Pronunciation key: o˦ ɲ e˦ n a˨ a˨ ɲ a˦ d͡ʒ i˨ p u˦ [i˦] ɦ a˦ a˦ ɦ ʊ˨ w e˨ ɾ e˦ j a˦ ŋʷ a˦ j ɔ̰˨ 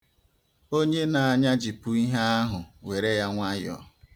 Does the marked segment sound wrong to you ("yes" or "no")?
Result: no